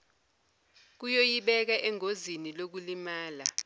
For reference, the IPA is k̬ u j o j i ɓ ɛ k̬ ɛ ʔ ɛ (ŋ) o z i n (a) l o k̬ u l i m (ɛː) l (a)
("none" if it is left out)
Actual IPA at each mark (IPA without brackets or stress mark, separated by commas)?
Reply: ŋ, i, aː, a